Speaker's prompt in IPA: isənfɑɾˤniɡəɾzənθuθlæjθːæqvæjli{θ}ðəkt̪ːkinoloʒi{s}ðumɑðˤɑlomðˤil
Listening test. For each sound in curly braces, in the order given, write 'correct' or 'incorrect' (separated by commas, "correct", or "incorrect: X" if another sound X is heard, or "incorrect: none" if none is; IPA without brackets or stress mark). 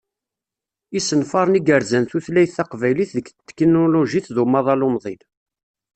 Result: correct, incorrect: θ